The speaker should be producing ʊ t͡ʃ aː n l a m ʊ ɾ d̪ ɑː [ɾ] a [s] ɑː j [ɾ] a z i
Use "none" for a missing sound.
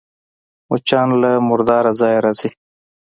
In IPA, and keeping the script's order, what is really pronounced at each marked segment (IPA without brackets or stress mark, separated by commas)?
ɾ, z, ɾ